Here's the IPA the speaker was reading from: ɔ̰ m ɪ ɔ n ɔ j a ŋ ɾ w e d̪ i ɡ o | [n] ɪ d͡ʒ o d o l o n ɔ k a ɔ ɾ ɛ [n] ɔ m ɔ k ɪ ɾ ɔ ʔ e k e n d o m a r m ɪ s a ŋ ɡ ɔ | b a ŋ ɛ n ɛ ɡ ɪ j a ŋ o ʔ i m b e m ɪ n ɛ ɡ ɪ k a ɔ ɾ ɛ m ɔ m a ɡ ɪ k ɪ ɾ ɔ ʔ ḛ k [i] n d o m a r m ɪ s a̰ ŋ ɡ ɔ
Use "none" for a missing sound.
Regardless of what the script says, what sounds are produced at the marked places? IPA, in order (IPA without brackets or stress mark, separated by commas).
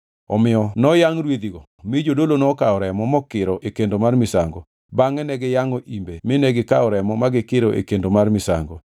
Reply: m, m, e